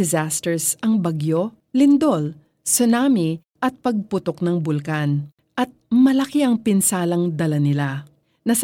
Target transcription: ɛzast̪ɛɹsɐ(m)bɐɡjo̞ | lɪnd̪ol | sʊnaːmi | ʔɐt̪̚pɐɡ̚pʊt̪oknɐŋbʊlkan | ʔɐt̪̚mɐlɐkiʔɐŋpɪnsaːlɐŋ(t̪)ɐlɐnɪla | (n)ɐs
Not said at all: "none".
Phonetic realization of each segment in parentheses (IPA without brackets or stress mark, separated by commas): ŋ, d̪, n